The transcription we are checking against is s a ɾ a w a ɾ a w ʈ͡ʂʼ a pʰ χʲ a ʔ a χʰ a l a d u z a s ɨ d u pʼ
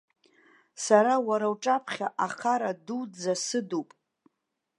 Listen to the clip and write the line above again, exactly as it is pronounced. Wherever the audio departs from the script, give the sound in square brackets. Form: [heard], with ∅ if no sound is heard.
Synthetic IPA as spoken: s a ɾ a w a ɾ a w ʈ͡ʂʼ a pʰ χʲ a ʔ a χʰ a [ɾ] a d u [d͡z] a s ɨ d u pʼ